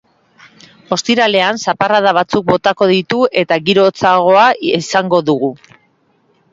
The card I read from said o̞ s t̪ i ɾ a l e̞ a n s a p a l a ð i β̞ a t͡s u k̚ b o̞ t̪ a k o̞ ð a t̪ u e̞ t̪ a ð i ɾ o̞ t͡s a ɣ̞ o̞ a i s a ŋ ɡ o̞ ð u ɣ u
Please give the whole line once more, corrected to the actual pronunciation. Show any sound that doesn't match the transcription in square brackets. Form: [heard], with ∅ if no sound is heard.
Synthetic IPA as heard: o̞ s t̪ i ɾ a l e̞ a n s a p a [r] a ð [a] β̞ a t͡s u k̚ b o̞ t̪ a k o̞ ð [i] t̪ u e̞ t̪ a [ɣ] i ɾ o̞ t͡s a ɣ̞ o̞ a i s a ŋ ɡ o̞ ð u ɣ u